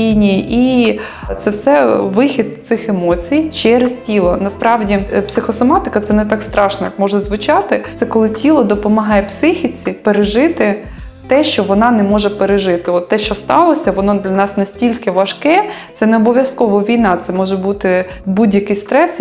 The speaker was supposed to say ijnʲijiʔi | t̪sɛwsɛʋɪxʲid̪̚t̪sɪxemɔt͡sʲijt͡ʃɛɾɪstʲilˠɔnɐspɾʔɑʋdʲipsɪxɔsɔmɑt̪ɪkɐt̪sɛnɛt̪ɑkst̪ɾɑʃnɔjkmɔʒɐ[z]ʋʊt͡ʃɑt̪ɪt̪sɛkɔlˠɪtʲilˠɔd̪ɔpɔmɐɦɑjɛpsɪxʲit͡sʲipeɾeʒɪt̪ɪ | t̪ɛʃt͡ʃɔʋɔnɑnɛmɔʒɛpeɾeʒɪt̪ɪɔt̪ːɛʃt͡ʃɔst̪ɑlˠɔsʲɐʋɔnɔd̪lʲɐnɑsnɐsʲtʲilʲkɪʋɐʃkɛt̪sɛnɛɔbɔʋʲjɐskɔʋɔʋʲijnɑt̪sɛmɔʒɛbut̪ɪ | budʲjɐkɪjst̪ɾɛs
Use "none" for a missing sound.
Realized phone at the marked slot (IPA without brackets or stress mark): z